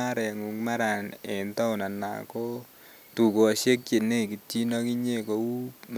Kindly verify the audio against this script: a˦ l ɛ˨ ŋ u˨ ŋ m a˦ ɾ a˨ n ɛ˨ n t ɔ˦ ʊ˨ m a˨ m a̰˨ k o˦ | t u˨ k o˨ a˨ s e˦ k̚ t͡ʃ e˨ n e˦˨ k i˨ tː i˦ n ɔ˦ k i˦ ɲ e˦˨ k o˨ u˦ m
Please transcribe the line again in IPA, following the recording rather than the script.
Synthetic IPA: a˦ ɾ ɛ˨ ŋ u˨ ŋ m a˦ ɾ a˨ n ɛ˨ n t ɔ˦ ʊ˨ n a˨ n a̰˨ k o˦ | t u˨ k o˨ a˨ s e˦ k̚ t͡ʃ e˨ n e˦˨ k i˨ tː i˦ n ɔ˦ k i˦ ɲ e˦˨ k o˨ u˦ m